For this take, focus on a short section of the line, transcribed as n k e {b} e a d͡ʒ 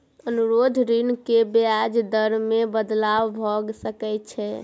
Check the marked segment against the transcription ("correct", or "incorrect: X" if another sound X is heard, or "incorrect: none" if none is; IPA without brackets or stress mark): correct